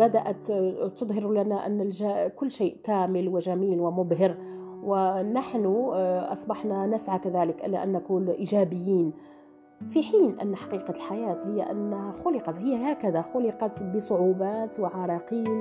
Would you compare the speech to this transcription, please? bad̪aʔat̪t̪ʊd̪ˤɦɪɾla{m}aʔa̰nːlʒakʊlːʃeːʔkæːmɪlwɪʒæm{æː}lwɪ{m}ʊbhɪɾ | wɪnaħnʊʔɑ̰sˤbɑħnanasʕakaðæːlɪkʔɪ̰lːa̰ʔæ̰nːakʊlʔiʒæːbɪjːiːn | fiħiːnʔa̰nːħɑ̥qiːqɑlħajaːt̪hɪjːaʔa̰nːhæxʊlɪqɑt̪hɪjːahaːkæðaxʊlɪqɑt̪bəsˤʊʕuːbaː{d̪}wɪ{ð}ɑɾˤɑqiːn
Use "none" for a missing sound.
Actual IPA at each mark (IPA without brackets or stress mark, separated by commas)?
n, iː, m, t̪, ʕ